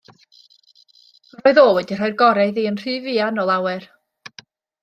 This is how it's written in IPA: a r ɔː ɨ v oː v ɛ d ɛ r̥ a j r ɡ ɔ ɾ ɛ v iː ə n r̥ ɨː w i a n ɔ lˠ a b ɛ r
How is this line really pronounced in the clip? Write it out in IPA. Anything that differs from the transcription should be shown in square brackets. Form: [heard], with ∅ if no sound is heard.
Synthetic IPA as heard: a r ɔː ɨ [ð] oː [w] ɛ d [i] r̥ a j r ɡ ɔ ɾ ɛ [ð] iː ə n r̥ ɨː [v] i a n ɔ lˠ a [w] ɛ r